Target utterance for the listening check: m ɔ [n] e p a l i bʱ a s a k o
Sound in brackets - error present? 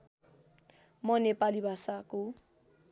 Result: no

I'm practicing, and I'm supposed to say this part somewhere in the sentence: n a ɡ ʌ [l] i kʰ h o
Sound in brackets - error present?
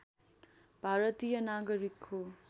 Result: yes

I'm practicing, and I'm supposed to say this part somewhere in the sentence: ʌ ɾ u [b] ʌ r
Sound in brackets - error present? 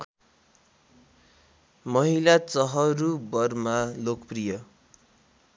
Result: no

